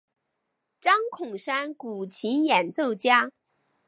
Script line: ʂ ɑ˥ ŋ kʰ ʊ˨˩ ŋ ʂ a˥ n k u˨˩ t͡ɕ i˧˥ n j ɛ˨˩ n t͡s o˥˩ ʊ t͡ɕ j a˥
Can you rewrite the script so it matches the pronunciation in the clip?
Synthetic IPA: ʈ͡ʂ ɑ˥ ŋ kʰ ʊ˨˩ ŋ ʂ a˥ n k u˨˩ t͡ɕʰ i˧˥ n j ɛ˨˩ n t͡s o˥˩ ʊ t͡ɕ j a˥

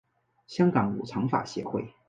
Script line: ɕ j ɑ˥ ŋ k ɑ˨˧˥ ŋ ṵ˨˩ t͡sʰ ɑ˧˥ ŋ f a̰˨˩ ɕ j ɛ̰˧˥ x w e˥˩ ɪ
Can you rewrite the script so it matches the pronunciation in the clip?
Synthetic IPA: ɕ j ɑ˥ ŋ k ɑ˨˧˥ ŋ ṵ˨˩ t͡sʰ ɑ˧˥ ŋ f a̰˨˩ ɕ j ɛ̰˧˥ x w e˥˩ ɪ

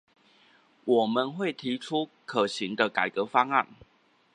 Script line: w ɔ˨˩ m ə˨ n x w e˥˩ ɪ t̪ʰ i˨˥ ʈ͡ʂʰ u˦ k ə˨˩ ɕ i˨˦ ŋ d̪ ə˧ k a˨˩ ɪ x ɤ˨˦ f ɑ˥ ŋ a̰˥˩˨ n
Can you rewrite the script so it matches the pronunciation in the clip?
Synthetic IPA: w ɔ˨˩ m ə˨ n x w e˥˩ ɪ t̪ʰ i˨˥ ʈ͡ʂʰ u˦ kʰ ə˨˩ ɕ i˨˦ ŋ d̪ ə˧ k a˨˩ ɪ k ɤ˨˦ f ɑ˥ ŋ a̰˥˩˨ n

